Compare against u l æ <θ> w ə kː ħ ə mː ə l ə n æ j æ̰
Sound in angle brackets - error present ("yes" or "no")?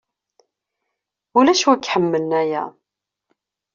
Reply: yes